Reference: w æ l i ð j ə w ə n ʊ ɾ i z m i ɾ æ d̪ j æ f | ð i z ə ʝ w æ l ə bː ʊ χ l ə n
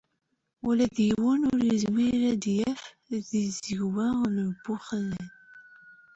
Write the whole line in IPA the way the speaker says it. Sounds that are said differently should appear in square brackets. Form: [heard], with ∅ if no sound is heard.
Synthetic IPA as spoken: w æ l [æ] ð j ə w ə n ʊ ɾ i z m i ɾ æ d̪ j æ f | ð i z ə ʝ w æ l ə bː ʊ χ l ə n